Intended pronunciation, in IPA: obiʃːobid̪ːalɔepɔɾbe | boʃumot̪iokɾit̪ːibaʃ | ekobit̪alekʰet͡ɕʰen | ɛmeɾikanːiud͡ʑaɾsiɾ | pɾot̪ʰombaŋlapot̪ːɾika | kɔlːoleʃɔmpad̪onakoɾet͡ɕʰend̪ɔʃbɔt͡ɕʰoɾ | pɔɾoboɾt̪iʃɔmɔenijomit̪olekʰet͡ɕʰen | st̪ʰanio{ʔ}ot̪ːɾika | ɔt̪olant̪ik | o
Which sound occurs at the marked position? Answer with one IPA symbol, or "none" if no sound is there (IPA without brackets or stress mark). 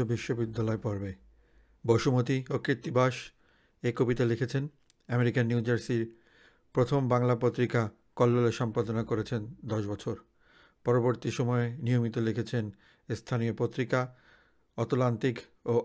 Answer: p